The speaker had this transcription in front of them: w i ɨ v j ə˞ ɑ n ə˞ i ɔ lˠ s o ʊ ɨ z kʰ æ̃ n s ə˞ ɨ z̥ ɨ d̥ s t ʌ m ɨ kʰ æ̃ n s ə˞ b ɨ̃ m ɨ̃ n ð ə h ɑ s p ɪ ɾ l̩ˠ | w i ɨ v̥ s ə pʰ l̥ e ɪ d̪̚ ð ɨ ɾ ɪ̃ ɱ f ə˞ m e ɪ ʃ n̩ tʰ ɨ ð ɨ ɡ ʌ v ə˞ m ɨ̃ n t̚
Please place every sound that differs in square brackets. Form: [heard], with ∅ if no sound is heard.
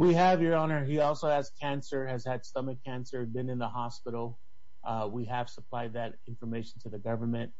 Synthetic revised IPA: w i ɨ v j ə˞ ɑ n ə˞ i ɔ lˠ s o ʊ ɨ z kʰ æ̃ n s ə˞ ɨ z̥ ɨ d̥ s t ʌ m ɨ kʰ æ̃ n s ə˞ b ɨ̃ [n] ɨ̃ n ð ə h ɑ s p ɪ ɾ l̩ˠ | w i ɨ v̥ s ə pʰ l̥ [a] ɪ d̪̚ ð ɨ ɾ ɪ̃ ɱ f ə˞ m e ɪ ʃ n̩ tʰ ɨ ð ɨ ɡ ʌ v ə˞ m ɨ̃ n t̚